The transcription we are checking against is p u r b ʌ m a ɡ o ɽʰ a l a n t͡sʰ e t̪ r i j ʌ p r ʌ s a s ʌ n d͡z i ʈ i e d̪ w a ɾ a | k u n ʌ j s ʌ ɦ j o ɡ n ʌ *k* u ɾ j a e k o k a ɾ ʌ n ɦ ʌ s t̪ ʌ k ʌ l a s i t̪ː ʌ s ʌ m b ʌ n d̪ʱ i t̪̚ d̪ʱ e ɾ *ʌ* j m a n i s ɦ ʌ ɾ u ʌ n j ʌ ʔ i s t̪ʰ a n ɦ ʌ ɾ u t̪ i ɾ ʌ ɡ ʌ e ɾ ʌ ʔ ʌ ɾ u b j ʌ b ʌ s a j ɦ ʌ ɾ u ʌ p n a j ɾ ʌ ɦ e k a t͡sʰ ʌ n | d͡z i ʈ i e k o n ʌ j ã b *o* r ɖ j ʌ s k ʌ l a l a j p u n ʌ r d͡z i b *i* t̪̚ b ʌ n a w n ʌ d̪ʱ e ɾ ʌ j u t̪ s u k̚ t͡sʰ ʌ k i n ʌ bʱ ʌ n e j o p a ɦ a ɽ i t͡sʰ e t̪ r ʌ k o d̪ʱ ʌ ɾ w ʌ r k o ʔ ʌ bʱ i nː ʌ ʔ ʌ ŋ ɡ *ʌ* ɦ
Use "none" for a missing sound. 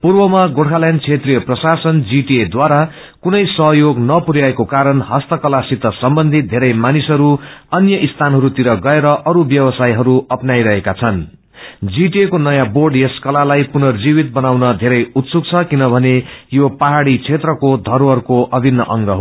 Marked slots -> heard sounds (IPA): p, ʌ, o, i, ʌ

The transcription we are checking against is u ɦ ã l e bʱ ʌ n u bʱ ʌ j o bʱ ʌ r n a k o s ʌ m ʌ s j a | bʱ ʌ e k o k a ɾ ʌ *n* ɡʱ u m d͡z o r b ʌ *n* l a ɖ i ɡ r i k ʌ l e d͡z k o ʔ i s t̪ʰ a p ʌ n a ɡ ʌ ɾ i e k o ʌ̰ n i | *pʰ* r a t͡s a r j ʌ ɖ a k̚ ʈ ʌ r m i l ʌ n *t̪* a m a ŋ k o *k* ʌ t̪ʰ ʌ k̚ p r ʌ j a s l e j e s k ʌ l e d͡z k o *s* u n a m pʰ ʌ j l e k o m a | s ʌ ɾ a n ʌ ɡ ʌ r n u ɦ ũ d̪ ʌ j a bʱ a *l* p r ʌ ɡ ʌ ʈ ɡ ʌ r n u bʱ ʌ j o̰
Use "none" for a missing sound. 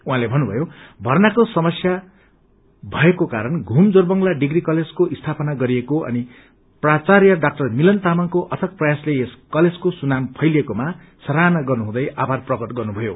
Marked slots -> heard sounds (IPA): n, ŋ, p, t̪, ʔ, s, r

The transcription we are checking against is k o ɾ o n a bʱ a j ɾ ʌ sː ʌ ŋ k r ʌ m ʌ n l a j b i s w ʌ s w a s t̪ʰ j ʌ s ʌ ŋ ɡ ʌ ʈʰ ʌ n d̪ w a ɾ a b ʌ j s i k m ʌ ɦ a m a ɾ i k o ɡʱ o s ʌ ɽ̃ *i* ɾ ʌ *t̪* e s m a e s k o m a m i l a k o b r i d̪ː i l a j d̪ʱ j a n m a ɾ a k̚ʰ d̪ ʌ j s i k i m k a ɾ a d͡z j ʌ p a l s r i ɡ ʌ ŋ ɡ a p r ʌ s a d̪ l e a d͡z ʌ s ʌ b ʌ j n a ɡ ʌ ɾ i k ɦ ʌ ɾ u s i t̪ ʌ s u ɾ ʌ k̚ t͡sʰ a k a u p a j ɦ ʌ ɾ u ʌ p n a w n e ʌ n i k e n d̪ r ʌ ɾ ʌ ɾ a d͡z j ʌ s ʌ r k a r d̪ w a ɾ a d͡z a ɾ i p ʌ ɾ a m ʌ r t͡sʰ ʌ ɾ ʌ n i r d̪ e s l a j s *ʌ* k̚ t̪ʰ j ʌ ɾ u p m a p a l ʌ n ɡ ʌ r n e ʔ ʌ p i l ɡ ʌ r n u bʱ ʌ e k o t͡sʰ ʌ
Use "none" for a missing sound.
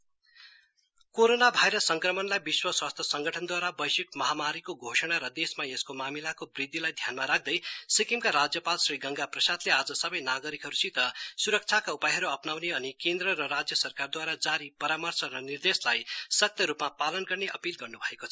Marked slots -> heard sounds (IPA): a, d̪, ʌ

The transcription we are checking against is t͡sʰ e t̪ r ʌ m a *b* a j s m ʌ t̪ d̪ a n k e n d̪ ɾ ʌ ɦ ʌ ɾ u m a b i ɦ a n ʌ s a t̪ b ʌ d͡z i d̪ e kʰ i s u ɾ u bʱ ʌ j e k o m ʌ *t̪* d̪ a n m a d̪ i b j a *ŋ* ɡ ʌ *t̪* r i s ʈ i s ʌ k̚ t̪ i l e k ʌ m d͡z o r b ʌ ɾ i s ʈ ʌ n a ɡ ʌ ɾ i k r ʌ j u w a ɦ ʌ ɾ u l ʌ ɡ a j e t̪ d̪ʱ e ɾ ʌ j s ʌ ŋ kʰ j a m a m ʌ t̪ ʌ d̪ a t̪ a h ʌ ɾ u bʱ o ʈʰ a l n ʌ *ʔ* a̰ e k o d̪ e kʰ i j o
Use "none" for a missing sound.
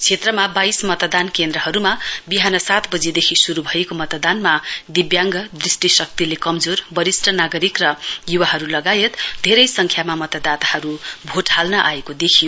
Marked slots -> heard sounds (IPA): b, t̪, ŋ, d̪, ʔ

